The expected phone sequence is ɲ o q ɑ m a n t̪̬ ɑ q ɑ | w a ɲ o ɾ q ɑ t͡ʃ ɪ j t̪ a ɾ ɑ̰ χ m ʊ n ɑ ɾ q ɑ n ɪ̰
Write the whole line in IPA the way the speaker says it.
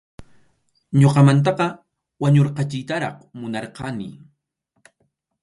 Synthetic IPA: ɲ o q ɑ m a n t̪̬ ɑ q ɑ | w a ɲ o ɾ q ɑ t͡ʃ ɪ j t̪ a ɾ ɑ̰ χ m ʊ n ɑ ɾ q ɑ n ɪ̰